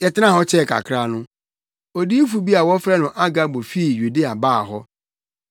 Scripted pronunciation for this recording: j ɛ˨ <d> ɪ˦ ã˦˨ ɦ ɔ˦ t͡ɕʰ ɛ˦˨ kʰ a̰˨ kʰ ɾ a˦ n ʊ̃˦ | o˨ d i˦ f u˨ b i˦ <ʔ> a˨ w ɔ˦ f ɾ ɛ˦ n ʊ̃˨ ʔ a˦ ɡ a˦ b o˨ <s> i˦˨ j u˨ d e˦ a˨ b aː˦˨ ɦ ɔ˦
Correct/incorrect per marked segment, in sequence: incorrect: t, incorrect: none, incorrect: f

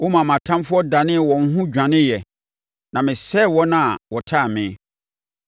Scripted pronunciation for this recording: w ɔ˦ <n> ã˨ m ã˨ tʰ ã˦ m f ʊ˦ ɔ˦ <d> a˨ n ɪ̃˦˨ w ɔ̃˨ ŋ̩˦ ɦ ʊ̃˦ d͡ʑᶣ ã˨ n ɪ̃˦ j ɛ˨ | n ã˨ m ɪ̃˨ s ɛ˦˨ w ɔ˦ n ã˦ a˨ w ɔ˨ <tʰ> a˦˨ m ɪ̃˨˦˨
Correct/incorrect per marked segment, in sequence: incorrect: m, correct, correct

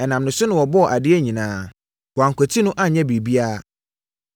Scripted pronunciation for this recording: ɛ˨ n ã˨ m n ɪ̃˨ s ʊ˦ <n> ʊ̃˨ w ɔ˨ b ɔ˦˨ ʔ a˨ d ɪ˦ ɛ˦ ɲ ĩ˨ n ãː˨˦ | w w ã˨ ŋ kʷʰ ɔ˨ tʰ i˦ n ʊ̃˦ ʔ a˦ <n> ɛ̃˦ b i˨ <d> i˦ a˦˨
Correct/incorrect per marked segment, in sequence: correct, incorrect: ɲ, incorrect: b

